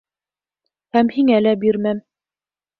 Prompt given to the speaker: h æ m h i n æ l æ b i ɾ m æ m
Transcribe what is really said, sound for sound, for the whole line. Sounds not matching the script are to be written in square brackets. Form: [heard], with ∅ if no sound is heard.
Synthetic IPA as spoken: h æ m h i [ŋ] æ l æ b i ɾ m æ m